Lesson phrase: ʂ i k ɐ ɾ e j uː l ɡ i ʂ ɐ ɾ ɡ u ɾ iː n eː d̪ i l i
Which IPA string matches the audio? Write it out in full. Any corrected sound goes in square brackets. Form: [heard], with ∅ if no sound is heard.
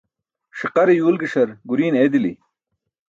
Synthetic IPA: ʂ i [q] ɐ ɾ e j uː l ɡ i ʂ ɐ ɾ ɡ u ɾ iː n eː d̪ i l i